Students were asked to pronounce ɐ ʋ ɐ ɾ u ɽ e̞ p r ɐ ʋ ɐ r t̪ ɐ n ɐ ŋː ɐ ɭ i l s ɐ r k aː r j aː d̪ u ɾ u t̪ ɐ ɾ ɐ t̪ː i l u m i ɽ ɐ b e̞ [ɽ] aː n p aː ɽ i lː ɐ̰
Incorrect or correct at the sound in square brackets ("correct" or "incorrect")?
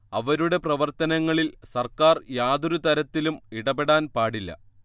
correct